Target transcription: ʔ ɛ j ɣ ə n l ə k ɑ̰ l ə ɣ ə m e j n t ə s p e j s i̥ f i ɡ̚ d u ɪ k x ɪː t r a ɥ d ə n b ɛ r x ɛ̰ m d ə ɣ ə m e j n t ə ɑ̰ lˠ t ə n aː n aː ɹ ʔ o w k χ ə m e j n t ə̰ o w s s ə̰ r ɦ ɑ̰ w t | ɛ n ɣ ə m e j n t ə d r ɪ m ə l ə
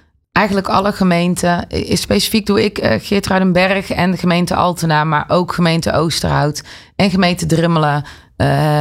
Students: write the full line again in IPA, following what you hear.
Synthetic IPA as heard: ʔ ɛ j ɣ ə n l ə k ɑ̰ l ə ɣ ə m e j n t ə s p e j s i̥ f i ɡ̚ d u ɪ k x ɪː t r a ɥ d ə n b ɛ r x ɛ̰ n d ə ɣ ə m e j n t ə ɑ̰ lˠ t ə n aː m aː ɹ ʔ o w k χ ə m e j n t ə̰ o w s t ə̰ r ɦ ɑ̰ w t | ɛ n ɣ ə m e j n t ə d r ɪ m ə l ə